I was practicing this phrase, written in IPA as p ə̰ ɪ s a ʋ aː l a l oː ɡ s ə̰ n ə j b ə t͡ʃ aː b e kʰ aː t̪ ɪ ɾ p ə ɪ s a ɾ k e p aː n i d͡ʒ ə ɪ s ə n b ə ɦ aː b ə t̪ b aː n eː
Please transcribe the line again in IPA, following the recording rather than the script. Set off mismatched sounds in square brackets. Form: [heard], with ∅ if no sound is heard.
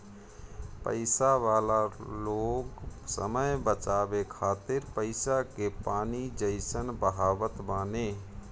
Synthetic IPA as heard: p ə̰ ɪ s a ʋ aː l a l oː ɡ s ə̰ [m] ə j b ə t͡ʃ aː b e kʰ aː t̪ ɪ ɾ p ə ɪ s a [∅] k e p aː n i d͡ʒ ə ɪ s ə n b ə ɦ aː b ə t̪ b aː n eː